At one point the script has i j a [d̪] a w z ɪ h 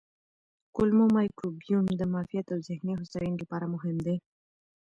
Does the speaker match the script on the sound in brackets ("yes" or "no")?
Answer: no